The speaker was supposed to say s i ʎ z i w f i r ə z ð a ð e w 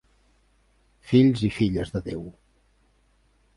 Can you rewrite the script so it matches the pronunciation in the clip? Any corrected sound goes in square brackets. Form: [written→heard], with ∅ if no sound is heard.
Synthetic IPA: [s→f] i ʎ z i [w→∅] f i [r→ʎ] ə z ð [a→ə] ð e w

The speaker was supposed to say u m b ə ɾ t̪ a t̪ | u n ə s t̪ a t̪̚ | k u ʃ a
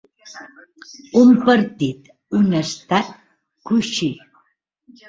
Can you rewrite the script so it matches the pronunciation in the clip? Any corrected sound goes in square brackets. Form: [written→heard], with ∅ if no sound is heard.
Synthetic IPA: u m [b→p] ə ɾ t̪ [a→i] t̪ | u n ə s t̪ a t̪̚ | k u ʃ [a→i]

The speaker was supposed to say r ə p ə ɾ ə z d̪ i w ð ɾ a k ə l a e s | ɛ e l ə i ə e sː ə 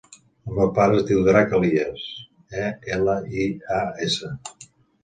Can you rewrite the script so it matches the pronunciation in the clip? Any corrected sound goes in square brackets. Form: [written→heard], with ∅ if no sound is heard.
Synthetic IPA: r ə p [ə→a] ɾ ə z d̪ i w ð ɾ a k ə l [a→i] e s | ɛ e l ə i [ə→a] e [sː→s] ə

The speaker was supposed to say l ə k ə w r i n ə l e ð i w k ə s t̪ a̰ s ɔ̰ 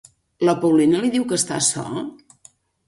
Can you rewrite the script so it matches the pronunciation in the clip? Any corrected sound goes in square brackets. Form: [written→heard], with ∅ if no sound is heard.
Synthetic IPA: l ə [k→p] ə w [r→l] i n ə l [e→i] ð i w k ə s t̪ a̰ s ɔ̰

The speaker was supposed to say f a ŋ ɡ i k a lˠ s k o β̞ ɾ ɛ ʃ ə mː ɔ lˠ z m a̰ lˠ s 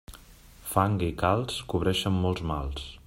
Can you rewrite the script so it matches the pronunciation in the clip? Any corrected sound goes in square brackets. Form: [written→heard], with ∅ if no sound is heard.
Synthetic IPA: f a ŋ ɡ i k a lˠ s k [o→u] β̞ ɾ ɛ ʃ ə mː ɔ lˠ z m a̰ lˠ s

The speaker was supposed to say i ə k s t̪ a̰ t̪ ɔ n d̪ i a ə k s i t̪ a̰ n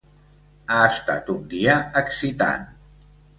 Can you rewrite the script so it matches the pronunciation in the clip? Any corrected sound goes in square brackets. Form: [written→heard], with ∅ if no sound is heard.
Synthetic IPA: [i→a] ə [k→∅] s t̪ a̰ t̪ [ɔ→u] n d̪ i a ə k s i t̪ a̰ n

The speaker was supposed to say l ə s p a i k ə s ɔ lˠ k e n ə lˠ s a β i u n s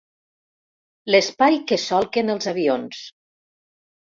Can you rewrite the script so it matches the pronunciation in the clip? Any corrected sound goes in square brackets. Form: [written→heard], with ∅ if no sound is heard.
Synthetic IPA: l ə s p a [i→j] k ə s ɔ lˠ k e n ə lˠ [s→z] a β i [u→o] n s

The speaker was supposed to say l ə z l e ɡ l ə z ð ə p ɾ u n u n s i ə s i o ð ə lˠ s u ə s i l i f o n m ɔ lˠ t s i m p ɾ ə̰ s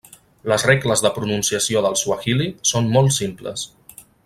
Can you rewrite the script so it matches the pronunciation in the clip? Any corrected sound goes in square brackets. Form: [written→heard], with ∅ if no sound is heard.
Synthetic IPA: l ə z [l→r] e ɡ l ə z ð ə p ɾ u n u n s i ə s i o ð ə lˠ s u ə [s→x] i l i [f→s] o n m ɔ lˠ t s i m p [ɾ→l] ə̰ s

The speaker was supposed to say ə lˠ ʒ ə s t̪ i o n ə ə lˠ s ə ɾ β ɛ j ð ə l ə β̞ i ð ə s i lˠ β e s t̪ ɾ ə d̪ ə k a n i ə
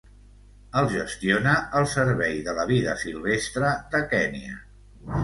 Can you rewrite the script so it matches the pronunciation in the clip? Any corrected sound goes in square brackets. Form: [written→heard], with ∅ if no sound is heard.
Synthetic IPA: ə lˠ ʒ ə s t̪ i o n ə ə lˠ s ə ɾ β ɛ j ð ə l ə β̞ i ð ə s i lˠ β e s t̪ ɾ ə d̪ ə k [a→ɛ] n i ə

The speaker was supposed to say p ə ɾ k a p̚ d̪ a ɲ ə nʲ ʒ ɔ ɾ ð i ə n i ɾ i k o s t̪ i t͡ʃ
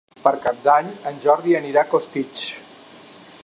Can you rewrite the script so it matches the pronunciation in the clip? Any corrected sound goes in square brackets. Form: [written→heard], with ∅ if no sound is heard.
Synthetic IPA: p ə ɾ k a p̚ d̪ a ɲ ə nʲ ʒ ɔ ɾ ð i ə n i ɾ [i→a] k o s t̪ i t͡ʃ

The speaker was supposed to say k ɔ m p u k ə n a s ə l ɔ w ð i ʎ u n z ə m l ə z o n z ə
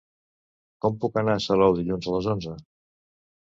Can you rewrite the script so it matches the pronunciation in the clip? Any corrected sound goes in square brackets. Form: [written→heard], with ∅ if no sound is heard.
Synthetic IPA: k ɔ m p u k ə n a s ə l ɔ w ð i ʎ u n z ə [m→∅] l ə z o n z ə

